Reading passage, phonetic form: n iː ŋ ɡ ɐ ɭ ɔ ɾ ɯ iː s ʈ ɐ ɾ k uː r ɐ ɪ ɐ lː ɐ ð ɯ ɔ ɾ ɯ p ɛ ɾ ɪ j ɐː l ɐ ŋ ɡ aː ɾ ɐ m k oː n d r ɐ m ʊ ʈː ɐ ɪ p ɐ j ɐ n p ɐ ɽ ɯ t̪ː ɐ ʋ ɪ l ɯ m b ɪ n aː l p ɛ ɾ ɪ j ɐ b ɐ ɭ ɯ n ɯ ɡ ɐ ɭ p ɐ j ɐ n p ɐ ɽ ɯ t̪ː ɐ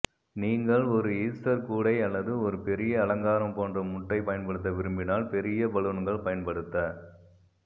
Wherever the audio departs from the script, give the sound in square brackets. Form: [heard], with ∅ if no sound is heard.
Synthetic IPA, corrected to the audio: n iː ŋ ɡ ɐ ɭ ɔ ɾ ɯ iː s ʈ ɐ ɾ k uː [ɽ] ɐ ɪ ɐ lː ɐ ð ɯ ɔ ɾ ɯ p ɛ ɾ ɪ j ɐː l ɐ ŋ ɡ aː ɾ ɐ m [p] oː n d r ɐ m ʊ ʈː ɐ ɪ p ɐ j ɐ n p ɐ ɽ ɯ t̪ː ɐ ʋ ɪ [ɾ] ɯ m b ɪ n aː l p ɛ ɾ ɪ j ɐ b ɐ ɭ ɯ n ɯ ɡ ɐ ɭ p ɐ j ɐ n p ɐ ɽ ɯ t̪ː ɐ